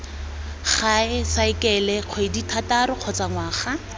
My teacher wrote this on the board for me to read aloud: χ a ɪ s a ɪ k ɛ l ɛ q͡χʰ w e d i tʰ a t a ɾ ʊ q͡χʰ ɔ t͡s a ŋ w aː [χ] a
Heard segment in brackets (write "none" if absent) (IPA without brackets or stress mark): χ